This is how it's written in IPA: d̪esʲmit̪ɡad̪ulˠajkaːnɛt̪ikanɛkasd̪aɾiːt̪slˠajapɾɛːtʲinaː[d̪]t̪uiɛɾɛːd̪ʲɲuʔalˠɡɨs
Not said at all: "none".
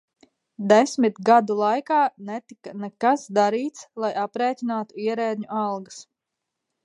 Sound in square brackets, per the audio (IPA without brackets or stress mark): none